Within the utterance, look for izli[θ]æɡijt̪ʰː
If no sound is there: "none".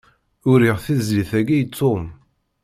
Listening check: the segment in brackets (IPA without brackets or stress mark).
θ